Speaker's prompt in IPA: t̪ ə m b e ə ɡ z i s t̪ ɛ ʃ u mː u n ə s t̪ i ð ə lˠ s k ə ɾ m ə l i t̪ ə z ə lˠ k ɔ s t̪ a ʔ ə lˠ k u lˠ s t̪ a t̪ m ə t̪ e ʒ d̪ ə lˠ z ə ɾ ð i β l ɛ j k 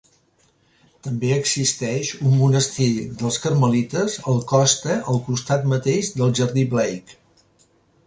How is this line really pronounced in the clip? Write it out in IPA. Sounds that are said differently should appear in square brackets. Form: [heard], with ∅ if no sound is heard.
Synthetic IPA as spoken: t̪ ə m b e ə ɡ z i s t̪ ɛ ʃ u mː u n ə s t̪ i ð ə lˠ s k ə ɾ m ə l i t̪ ə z ə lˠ k ɔ s t̪ [ə] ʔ ə lˠ k u [∅] s t̪ a t̪ m ə t̪ e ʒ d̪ ə lˠ [ʒ] ə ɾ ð i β l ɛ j k

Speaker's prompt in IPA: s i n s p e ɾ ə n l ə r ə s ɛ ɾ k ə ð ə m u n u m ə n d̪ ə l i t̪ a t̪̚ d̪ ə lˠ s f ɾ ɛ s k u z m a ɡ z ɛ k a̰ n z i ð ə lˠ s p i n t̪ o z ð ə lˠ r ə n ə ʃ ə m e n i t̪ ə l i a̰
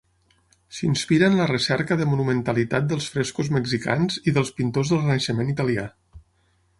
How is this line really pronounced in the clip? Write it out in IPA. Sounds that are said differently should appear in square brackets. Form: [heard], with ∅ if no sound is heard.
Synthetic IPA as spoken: s i n s p [i] ɾ ə n l ə r ə s ɛ ɾ k ə ð ə m u n u m ə n [t̪] ə l i t̪ a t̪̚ d̪ ə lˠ s f ɾ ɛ s k u z m [ə] ɡ z [i] k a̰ n z i ð ə lˠ s p i n t̪ o z ð ə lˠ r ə n ə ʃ ə m e n i t̪ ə l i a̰

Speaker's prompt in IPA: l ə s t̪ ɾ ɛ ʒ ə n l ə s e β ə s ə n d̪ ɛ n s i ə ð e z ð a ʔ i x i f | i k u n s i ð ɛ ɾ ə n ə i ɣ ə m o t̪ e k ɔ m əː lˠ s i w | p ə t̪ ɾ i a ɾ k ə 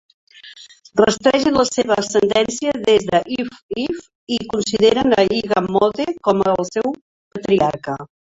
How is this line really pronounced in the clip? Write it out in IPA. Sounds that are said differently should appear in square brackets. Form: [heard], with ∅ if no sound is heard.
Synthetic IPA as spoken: [r] ə s t̪ ɾ ɛ ʒ ə n l ə s e β ə s ə n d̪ ɛ n s i ə ð e z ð [ə] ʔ i [f] i f | i k u n s i ð [e] ɾ ə n ə i ɣ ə m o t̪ e k ɔ m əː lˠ s [ɛ] w | p ə t̪ ɾ i a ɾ k ə

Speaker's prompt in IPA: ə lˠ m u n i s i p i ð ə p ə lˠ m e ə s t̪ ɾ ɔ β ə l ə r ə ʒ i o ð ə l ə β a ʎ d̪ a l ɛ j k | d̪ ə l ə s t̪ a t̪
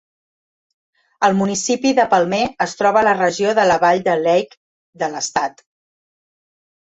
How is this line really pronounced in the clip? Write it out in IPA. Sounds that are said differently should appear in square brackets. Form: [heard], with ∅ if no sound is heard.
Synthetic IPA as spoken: ə lˠ m u n i s i p i ð ə p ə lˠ m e ə s t̪ ɾ ɔ β ə l ə r ə ʒ i o ð ə l ə β a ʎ d̪ [ə] l ɛ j k | d̪ ə l ə s t̪ a t̪

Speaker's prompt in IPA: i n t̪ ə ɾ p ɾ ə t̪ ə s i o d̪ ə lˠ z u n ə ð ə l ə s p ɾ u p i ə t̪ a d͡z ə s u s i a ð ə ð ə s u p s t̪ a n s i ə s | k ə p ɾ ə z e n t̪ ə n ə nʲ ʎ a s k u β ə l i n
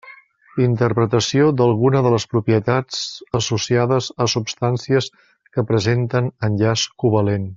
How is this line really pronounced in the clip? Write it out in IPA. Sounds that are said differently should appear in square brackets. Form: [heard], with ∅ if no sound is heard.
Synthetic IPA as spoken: i n t̪ ə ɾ p ɾ ə t̪ ə s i o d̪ ə lˠ [ɣ] u n ə ð ə l ə s p ɾ u p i ə t̪ a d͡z ə s u s i a ð ə [z] ə s u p s t̪ a n s i ə s | k ə p ɾ ə z e n t̪ ə n ə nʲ ʎ a s k u β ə l [e] n

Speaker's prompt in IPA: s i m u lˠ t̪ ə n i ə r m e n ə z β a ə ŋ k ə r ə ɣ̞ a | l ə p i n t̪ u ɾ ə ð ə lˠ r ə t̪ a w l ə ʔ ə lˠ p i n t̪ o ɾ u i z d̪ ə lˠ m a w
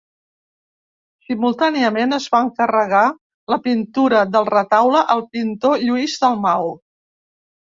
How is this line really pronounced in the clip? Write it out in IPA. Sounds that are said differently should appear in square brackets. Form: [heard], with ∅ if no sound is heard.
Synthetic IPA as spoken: s i m u lˠ t̪ [a] n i ə [∅] m e n ə z β a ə ŋ k ə r ə ɣ̞ a | l ə p i n t̪ u ɾ ə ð ə lˠ r ə t̪ a w l ə ʔ ə lˠ p i n t̪ o [ʎ] u i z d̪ ə lˠ m a w

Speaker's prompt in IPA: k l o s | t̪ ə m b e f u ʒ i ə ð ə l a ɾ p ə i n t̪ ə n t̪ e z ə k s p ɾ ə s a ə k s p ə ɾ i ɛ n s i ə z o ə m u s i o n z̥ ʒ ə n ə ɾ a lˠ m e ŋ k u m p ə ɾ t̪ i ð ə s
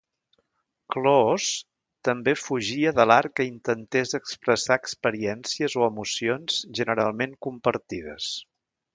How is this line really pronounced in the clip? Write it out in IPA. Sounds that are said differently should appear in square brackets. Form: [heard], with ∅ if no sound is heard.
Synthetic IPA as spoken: k l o s | t̪ ə m b e f u ʒ i ə ð ə l a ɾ [k] ə i n t̪ ə n t̪ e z ə k s p ɾ ə s a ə k s p ə ɾ i ɛ n s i ə z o ə m u s i o n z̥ ʒ ə n ə ɾ a lˠ m e ŋ k u m p ə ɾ t̪ i ð ə s

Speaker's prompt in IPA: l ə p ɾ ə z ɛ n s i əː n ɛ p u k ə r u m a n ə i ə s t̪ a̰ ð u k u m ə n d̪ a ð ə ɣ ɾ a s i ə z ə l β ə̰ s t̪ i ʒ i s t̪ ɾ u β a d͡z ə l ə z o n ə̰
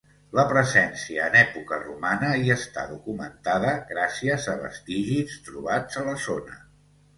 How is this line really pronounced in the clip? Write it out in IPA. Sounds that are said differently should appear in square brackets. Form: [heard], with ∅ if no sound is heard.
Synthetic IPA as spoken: l ə p ɾ ə z ɛ n s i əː n ɛ p u k ə r u m a n ə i ə s t̪ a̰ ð u k u m ə n [t̪] a ð ə ɣ ɾ a s i ə z ə [∅] β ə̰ s t̪ i ʒ i s t̪ ɾ u β a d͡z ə l ə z o n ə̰

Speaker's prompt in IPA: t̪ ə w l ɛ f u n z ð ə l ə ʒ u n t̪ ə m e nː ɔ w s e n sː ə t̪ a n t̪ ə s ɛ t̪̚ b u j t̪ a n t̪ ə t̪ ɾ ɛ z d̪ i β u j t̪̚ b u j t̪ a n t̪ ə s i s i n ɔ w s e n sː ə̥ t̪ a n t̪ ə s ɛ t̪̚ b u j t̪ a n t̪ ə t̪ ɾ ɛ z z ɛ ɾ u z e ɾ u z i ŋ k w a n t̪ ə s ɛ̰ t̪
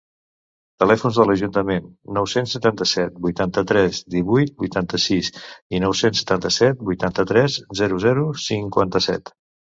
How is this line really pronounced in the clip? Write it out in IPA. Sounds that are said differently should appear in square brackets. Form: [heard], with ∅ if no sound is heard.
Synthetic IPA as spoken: t̪ ə [∅] l ɛ f u n z ð ə l ə ʒ u n t̪ ə m e nː ɔ w s e n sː ə t̪ a n t̪ ə s ɛ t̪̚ b u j t̪ a n t̪ ə t̪ ɾ ɛ z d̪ i β u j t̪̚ b u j t̪ a n t̪ ə s i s i n ɔ w s e n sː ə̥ t̪ a n t̪ ə s ɛ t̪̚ b u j t̪ a n t̪ ə t̪ ɾ ɛ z z ɛ ɾ u z [ɛ] ɾ u [s] i ŋ k w a n t̪ ə s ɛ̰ t̪

